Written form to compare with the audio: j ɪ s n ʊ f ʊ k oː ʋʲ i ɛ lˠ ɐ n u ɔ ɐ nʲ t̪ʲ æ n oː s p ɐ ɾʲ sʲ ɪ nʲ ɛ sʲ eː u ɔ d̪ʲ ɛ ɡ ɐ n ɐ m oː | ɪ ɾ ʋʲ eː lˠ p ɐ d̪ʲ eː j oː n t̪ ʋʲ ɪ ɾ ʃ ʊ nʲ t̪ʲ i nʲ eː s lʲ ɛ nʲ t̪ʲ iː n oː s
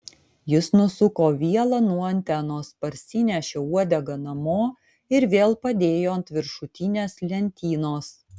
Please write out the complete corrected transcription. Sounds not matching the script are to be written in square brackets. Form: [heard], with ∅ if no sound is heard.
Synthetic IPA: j ɪ s n ʊ [s] ʊ k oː ʋʲ i ɛ lˠ ɐ n u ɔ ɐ nʲ t̪ʲ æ n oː s p ɐ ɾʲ sʲ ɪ nʲ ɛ [ʃʲ] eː u ɔ d̪ʲ ɛ ɡ ɐ n ɐ m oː | ɪ ɾ ʋʲ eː lˠ p ɐ d̪ʲ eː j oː n t̪ ʋʲ ɪ ɾ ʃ ʊ [∅] t̪ʲ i nʲ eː s lʲ ɛ nʲ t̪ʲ iː n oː s